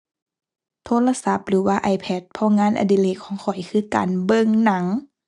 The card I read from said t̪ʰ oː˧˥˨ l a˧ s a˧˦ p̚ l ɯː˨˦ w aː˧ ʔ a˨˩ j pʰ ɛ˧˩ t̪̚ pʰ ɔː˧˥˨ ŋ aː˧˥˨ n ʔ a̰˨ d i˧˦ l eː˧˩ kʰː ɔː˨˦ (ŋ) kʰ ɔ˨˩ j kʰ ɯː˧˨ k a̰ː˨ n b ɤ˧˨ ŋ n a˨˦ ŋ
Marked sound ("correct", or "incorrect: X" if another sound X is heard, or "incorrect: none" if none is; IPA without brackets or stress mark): correct